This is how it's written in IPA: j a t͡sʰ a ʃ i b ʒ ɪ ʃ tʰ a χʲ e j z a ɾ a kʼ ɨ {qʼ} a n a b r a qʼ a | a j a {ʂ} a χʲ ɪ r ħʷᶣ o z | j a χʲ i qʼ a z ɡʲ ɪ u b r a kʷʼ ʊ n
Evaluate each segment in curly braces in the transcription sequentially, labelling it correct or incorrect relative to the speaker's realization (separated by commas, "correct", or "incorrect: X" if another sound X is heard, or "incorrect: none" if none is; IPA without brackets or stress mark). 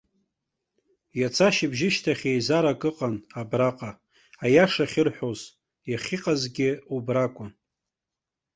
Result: correct, correct